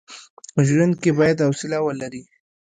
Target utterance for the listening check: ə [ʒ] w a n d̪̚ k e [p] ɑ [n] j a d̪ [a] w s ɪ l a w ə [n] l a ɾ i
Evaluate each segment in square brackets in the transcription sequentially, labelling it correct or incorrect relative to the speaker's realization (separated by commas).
correct, incorrect, incorrect, correct, incorrect